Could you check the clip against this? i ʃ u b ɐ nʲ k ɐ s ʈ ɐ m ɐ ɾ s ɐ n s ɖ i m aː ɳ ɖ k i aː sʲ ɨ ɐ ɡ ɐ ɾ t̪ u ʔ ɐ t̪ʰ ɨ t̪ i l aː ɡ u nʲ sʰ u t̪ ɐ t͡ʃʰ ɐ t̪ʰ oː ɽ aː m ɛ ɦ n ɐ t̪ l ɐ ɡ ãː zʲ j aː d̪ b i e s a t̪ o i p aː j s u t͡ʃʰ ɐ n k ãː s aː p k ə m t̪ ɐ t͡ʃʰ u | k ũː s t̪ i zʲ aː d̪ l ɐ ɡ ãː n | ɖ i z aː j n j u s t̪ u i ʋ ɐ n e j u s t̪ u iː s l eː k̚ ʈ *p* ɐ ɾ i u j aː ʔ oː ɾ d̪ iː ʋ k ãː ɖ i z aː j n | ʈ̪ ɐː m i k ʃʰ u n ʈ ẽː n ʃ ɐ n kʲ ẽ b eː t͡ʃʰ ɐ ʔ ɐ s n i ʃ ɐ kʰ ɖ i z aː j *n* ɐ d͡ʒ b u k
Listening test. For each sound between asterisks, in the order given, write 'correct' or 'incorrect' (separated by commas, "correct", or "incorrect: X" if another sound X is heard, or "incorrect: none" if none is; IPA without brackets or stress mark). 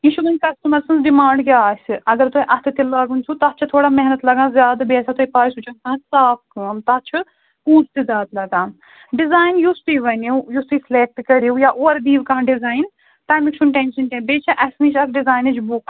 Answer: incorrect: k, correct